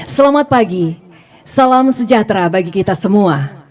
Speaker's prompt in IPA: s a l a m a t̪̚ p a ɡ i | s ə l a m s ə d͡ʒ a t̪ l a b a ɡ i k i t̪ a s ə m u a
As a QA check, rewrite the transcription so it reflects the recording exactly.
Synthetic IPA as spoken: s ə l a m a t̪̚ p a ɡ i | s a l a m s ə d͡ʒ a t̪ ɾ a b a ɡ i k i t̪ a s ə m u a